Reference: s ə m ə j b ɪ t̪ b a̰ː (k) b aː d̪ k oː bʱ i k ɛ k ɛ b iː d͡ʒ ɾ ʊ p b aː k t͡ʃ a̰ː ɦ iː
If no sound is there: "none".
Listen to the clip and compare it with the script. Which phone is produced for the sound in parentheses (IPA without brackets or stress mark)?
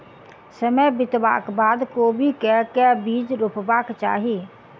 k